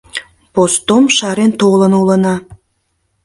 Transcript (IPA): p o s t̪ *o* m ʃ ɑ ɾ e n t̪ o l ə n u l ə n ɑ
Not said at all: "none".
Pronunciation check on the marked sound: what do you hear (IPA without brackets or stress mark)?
o